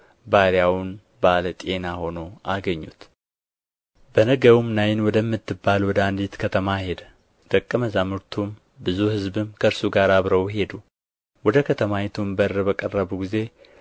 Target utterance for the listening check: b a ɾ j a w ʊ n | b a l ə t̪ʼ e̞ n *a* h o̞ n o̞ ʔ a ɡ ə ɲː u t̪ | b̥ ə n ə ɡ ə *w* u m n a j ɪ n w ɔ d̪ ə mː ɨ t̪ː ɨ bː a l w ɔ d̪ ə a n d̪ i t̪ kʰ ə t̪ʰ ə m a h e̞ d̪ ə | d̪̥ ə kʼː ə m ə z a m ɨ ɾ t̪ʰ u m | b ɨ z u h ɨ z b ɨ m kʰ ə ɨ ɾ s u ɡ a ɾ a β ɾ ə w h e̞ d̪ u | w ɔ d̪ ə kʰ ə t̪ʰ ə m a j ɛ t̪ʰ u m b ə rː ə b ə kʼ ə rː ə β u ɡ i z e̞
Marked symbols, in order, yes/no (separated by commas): yes, yes